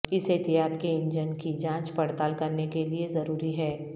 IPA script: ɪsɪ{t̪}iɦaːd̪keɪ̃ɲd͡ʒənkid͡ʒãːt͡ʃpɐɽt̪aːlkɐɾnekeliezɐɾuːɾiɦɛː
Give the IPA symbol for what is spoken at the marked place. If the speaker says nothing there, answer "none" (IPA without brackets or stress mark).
t̪